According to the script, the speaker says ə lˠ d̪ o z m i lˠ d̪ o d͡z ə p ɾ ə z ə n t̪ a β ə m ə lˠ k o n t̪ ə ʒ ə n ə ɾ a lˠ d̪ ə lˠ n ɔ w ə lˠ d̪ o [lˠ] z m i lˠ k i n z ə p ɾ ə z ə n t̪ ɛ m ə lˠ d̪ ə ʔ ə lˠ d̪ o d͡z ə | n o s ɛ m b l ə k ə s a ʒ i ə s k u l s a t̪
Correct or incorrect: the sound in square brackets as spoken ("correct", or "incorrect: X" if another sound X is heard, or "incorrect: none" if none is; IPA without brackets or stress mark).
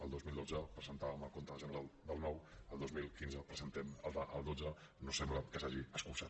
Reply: incorrect: none